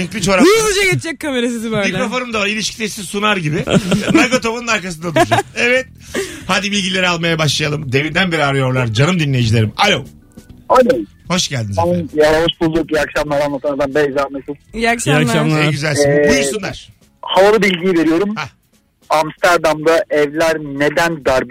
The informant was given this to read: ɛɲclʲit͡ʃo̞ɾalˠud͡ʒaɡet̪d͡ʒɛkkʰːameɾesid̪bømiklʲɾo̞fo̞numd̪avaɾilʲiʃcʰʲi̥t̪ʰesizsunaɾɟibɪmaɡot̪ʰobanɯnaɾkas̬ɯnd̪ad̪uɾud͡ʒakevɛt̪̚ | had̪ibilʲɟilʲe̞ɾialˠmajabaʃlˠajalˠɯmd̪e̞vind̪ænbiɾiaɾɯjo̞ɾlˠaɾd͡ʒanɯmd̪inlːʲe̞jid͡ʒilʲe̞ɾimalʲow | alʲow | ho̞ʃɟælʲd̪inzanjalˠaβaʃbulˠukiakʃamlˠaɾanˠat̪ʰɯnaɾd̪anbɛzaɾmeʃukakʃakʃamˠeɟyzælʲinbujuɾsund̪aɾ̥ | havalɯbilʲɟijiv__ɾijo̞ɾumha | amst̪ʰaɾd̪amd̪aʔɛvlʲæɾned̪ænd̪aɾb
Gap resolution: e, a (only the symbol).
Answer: e